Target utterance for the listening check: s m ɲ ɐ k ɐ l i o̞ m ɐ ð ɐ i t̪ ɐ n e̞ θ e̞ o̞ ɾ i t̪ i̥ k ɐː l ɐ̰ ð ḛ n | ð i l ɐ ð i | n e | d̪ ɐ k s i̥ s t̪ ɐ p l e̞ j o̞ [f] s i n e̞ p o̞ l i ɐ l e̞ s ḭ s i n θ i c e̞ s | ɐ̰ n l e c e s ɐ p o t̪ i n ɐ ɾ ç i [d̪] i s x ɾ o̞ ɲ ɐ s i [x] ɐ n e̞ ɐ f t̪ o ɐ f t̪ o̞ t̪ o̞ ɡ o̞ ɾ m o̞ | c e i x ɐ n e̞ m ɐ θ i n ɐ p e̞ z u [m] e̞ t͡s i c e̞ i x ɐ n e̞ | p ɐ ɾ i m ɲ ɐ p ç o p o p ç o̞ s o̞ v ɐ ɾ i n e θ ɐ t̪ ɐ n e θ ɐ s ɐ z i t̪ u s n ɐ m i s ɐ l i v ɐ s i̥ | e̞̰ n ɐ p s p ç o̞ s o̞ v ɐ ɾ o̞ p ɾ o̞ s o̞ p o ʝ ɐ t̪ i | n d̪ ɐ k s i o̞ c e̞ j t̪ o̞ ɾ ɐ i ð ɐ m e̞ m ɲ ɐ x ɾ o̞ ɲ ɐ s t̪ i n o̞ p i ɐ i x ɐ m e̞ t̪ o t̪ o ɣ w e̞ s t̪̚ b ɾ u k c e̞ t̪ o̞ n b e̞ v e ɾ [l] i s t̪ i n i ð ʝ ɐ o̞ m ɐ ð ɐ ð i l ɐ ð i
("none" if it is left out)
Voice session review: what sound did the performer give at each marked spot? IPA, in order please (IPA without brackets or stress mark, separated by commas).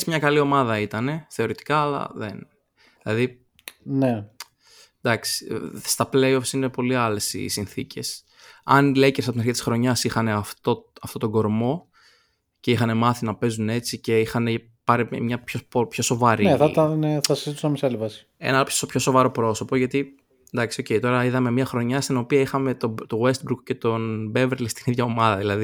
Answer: f, t̪, x, n, l